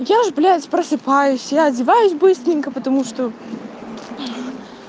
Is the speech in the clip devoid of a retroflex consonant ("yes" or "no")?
no